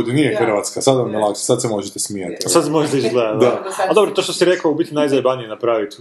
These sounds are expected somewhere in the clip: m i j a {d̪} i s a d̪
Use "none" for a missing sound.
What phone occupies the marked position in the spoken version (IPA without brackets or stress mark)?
t̪